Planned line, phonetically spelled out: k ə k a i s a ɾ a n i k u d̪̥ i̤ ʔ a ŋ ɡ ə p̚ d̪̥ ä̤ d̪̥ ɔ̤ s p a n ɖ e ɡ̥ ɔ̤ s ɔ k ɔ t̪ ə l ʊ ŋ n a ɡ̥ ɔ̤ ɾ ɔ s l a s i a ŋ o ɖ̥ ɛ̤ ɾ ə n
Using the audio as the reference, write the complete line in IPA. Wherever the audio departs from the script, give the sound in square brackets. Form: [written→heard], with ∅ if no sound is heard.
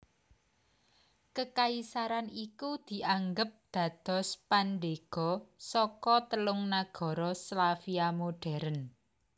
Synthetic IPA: k ə k a i s a ɾ a n i k u d̪̥ i̤ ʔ a ŋ ɡ ə p̚ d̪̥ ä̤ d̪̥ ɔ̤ s p a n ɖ e ɡ̥ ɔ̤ s ɔ k ɔ t̪ ə l ʊ ŋ n a ɡ̥ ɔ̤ ɾ ɔ s l a [s→f] i a [ŋ→m] o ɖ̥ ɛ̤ ɾ ə n